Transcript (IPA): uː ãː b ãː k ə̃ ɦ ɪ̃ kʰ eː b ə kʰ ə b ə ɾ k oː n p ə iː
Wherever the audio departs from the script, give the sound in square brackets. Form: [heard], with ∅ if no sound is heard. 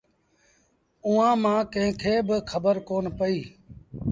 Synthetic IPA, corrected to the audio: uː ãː [m] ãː k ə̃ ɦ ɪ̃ kʰ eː b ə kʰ ə b ə ɾ k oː n p ə iː